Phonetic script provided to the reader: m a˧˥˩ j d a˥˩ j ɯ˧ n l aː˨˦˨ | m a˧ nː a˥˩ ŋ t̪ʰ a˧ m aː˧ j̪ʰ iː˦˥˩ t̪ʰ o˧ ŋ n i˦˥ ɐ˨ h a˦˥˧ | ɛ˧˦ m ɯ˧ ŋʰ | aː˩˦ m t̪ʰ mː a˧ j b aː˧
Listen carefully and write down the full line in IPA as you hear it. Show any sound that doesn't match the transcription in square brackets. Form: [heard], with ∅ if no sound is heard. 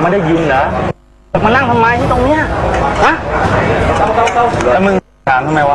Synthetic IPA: m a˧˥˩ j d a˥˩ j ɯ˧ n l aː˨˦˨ | m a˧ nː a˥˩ ŋ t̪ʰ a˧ m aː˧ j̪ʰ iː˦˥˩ [t̪] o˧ ŋ n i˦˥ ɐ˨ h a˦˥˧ | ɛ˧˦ m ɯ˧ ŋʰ | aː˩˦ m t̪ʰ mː a˧ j [w] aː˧